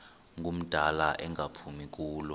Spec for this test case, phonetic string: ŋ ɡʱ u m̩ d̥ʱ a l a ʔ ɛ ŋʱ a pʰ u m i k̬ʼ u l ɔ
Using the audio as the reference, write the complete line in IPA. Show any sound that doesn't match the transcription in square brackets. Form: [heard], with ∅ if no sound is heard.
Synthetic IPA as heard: ŋ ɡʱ u m̩ d̥ʱ a l a ʔ ɛ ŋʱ a pʰ u m i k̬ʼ [uː] l ɔ